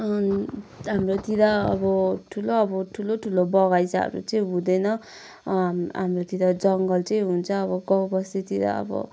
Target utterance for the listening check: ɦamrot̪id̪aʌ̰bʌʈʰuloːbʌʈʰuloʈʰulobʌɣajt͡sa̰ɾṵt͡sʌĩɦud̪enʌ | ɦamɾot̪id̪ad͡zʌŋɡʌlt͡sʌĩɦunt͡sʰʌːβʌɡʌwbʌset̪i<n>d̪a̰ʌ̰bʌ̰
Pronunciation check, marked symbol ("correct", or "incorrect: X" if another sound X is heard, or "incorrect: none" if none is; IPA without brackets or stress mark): incorrect: none